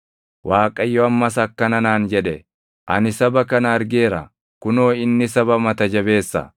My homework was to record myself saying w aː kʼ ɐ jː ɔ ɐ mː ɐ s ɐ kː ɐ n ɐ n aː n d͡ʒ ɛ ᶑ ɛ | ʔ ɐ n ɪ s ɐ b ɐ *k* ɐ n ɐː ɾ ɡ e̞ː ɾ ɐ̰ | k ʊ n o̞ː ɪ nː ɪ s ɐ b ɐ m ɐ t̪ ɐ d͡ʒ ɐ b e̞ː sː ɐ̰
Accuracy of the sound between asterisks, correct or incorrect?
correct